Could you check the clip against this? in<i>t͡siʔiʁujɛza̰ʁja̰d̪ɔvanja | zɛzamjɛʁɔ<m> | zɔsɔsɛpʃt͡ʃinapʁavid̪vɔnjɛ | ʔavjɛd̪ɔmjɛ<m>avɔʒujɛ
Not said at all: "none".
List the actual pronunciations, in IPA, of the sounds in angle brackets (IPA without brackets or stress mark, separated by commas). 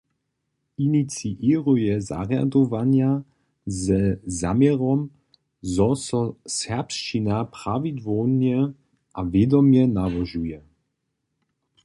i, m, n